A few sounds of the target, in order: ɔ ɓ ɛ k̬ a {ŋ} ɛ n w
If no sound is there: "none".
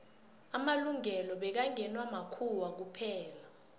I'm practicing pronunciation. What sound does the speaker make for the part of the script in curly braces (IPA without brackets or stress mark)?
ŋ